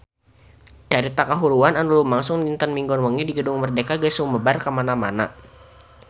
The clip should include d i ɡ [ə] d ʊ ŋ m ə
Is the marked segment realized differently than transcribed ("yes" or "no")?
no